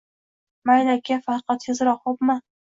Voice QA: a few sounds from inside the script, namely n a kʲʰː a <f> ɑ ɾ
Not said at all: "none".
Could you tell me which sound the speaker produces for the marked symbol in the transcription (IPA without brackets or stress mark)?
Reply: f